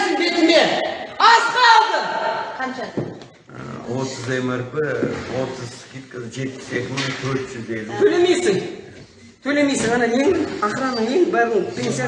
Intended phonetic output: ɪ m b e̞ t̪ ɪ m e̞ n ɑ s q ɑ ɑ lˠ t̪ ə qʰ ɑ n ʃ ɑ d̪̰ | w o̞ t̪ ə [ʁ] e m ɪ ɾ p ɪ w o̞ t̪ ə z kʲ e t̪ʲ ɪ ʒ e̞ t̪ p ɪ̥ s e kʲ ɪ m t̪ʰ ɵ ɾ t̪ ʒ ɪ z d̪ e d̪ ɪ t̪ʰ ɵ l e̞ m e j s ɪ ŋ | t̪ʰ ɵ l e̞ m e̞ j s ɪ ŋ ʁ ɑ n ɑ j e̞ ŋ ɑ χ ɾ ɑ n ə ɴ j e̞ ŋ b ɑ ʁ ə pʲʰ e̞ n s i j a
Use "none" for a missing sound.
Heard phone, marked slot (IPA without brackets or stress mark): z